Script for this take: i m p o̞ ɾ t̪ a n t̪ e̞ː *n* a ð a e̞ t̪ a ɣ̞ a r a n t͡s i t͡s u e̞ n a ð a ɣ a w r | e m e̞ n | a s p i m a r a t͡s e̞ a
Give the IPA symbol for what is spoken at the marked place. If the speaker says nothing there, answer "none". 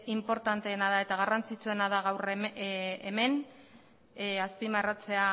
n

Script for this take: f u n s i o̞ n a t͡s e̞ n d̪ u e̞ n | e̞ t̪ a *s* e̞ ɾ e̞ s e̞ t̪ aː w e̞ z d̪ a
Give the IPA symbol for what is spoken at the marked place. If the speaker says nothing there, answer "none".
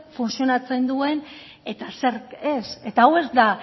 s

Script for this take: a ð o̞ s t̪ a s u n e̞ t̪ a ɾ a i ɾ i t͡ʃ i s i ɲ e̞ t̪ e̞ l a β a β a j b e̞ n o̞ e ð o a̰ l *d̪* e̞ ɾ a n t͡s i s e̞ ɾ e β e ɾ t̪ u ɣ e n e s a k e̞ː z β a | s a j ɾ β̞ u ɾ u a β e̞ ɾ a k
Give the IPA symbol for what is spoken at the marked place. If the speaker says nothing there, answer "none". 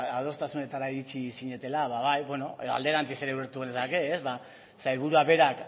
d̪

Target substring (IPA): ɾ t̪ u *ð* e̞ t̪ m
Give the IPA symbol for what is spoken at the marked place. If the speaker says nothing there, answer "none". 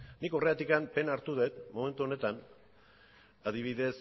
ð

